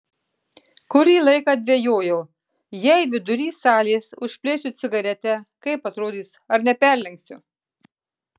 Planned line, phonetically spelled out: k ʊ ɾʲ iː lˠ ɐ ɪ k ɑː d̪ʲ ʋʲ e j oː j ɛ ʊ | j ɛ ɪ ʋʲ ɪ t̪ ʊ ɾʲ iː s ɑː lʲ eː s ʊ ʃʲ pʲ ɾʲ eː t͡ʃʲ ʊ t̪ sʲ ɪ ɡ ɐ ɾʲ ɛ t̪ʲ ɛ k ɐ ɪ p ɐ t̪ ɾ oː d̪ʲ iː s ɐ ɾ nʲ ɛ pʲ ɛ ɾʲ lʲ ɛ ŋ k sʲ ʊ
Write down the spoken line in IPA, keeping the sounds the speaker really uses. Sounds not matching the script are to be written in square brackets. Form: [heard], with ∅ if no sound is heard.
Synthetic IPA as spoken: k ʊ ɾʲ iː lˠ ɐ ɪ k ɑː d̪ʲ ʋʲ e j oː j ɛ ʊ | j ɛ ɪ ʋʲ ɪ [d̪] ʊ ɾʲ iː s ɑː lʲ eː s ʊ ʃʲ pʲ [lʲ] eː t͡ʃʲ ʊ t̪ sʲ ɪ ɡ ɐ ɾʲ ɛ t̪ʲ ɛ k ɐ ɪ p ɐ t̪ ɾ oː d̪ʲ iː s ɐ ɾ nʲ ɛ pʲ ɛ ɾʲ lʲ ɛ ŋ k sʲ ʊ

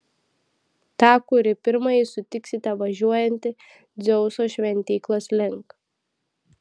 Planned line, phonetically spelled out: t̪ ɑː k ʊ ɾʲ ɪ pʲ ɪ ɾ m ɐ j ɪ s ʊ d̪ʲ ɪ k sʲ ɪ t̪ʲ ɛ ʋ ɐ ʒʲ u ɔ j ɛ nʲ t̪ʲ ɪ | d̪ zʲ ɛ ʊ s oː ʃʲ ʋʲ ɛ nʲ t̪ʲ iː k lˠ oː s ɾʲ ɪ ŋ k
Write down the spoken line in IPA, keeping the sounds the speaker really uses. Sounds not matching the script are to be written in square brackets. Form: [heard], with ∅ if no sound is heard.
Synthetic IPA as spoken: t̪ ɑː k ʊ ɾʲ ɪ pʲ ɪ ɾ m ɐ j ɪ s ʊ [t̪ʲ] ɪ k sʲ ɪ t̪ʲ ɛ ʋ ɐ ʒʲ u ɔ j ɛ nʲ t̪ʲ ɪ | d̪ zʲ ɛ ʊ s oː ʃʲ ʋʲ ɛ nʲ t̪ʲ iː k lˠ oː s [lʲ] ɪ ŋ k

